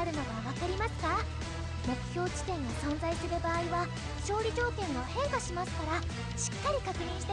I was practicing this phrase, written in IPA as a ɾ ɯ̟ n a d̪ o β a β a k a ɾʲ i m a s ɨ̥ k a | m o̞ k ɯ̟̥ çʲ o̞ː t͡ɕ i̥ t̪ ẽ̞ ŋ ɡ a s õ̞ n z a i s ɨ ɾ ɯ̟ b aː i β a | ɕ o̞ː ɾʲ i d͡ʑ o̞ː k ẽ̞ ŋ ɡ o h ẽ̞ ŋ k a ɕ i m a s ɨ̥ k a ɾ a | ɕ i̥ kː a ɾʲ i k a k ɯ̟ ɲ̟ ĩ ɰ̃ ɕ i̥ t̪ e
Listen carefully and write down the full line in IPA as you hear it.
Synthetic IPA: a ɾ ɯ̟ n a d̪ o β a β a k a ɾʲ i m a s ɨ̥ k a | m o̞ k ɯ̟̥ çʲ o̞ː t͡ɕ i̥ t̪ ẽ̞ ŋ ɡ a s õ̞ n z a i s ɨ ɾ ɯ̟ b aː i β a | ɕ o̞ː ɾʲ i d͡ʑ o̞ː k ẽ̞ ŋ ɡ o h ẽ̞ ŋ k a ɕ i m a s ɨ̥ k a ɾ a | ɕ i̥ kː a ɾʲ i k a k ɯ̟ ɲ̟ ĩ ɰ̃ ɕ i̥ t̪ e